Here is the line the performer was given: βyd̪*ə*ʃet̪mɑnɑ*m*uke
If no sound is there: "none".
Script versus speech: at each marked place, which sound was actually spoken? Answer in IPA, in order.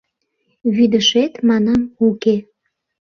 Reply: ə, m

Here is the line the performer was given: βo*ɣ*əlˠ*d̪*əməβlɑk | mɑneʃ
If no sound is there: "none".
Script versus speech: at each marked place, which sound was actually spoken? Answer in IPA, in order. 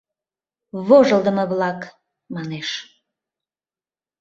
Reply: ʒ, d̪

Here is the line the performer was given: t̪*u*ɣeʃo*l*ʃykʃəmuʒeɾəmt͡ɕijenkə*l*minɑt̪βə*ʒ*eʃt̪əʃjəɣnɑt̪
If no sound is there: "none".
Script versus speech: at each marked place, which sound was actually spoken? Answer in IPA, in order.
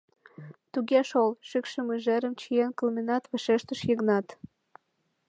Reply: u, l, l, ʃ

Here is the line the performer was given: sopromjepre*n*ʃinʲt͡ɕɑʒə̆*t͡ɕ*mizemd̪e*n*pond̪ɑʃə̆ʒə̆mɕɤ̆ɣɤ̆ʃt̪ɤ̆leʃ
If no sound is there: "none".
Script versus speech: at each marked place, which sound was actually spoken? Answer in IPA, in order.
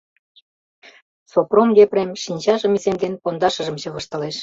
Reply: m, none, n

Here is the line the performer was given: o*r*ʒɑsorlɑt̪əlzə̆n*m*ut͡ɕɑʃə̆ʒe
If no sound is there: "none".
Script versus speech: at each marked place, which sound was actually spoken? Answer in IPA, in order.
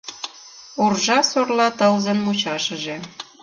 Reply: r, m

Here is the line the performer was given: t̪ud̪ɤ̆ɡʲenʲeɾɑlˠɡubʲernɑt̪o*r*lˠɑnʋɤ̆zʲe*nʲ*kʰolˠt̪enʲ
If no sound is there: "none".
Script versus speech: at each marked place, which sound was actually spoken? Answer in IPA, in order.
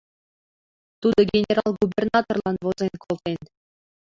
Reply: r, nʲ

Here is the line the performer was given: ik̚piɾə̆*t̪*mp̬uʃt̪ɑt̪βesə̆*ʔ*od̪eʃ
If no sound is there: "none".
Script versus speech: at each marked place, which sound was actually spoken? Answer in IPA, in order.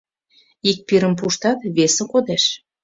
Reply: none, k

